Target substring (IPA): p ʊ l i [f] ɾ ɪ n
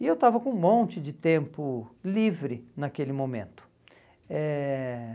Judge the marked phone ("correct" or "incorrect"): incorrect